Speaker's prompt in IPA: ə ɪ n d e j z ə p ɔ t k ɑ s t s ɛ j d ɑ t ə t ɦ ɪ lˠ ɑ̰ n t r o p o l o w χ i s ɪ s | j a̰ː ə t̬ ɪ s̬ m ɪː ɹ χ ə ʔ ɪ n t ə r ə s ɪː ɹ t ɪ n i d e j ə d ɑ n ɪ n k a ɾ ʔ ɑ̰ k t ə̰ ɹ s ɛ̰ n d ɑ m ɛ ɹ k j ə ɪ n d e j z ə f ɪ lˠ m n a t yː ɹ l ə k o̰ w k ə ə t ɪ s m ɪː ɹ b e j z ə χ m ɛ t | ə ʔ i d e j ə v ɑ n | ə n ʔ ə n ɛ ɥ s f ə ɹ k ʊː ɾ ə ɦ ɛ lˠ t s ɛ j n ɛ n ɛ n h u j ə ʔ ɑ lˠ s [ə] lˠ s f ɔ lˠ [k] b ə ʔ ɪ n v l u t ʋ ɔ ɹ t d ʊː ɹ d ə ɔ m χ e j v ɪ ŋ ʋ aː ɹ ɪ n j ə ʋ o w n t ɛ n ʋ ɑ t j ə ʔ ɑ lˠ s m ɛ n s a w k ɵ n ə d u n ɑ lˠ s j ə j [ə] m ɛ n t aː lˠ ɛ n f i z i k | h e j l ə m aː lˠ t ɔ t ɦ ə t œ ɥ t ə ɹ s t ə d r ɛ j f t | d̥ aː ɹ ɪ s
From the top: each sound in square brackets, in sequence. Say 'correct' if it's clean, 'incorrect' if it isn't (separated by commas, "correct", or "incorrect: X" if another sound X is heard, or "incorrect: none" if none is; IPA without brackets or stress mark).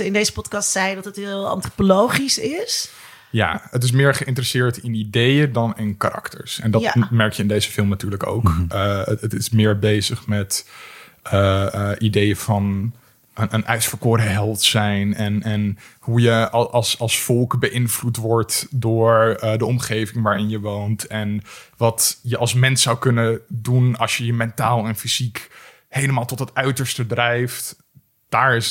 incorrect: ɑ, correct, correct